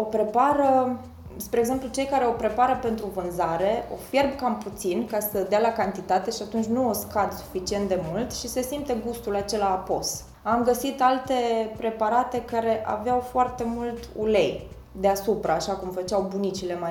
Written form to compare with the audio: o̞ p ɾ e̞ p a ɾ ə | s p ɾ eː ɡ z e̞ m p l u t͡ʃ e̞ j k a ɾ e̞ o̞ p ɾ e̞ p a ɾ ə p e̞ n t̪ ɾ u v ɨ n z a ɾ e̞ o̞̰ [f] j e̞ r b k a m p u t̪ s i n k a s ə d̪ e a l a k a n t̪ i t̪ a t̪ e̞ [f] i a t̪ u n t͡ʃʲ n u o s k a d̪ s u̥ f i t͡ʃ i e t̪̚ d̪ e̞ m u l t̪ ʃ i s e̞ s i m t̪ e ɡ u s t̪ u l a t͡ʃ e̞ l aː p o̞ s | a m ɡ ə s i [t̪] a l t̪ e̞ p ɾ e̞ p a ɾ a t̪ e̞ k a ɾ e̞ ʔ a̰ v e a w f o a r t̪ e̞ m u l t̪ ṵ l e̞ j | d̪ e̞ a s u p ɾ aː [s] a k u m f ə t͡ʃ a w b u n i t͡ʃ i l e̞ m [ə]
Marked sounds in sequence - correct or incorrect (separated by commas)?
correct, incorrect, correct, incorrect, incorrect